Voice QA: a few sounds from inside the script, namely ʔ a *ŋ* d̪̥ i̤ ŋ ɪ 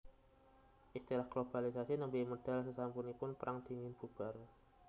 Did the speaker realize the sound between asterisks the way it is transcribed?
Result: yes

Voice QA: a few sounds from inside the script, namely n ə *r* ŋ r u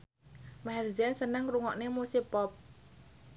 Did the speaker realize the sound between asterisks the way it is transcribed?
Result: no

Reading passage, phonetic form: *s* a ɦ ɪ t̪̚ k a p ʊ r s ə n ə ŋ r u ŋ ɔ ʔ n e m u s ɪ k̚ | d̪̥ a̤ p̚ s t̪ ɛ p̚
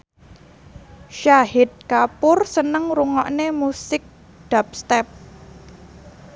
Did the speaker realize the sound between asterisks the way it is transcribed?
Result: no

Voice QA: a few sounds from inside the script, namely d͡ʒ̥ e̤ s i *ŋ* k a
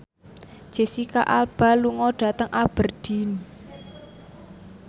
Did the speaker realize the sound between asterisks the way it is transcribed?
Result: no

